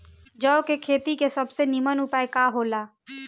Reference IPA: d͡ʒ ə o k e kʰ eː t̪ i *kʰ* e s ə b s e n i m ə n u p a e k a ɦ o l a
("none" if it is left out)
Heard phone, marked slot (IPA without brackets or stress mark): k